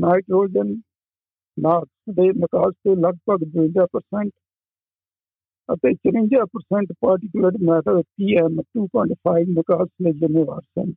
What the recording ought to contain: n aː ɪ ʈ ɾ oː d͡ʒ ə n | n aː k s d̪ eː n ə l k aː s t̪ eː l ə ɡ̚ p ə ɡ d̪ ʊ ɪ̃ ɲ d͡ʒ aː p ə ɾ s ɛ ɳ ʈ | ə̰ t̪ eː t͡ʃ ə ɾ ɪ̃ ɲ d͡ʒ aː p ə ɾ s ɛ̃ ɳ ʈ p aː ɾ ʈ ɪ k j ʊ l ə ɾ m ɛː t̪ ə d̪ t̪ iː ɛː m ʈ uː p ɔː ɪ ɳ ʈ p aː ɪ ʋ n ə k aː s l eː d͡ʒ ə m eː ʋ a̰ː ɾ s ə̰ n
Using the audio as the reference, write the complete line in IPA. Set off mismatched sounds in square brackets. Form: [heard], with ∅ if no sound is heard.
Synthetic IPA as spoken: n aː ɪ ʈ ɾ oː d͡ʒ ə n | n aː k s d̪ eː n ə [∅] k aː s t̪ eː l ə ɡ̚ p ə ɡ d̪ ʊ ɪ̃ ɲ d͡ʒ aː p ə ɾ s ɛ ɳ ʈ | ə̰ t̪ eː t͡ʃ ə ɾ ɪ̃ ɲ d͡ʒ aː p ə ɾ s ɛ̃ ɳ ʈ p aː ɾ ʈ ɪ k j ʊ l ə ɾ m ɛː t̪ ə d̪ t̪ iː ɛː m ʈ uː p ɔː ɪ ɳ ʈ [pʰ] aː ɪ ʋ n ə k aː s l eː d͡ʒ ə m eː ʋ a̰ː ɾ s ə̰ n